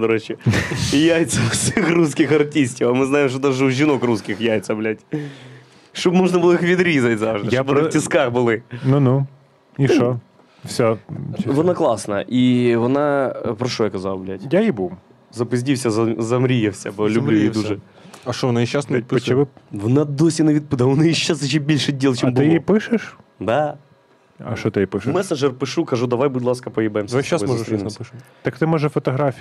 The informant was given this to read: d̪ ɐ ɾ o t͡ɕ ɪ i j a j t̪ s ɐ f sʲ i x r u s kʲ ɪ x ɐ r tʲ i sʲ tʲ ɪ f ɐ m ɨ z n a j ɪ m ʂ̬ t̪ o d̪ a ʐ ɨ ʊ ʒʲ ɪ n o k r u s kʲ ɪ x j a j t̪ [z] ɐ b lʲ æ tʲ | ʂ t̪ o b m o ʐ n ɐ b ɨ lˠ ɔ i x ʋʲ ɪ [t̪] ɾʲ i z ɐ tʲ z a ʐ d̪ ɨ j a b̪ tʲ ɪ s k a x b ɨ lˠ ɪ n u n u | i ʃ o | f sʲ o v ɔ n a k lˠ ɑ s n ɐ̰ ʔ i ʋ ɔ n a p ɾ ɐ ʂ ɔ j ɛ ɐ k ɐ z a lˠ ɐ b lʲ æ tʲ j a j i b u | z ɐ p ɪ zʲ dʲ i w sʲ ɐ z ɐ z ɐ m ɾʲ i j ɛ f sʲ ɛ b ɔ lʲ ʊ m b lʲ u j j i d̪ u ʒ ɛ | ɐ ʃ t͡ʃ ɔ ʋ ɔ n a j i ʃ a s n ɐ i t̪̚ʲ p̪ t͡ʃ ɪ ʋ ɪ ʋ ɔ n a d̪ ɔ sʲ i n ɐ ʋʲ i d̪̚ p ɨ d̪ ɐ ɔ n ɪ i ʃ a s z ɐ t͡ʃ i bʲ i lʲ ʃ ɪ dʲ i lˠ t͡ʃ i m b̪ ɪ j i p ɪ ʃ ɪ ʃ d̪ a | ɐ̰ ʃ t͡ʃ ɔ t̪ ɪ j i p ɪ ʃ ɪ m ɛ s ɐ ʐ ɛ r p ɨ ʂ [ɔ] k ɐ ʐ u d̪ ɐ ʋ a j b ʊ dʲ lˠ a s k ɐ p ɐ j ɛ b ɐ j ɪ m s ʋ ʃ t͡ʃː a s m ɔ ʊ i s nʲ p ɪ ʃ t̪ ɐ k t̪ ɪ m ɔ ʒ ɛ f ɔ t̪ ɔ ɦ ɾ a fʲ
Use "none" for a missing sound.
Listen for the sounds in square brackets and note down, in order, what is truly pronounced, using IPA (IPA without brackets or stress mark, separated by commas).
s, d̪, u